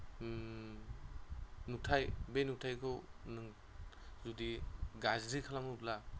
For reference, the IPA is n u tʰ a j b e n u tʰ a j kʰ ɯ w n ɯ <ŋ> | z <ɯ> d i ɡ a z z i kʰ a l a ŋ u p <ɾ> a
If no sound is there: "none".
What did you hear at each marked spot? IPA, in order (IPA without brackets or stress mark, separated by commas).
ŋ, u, l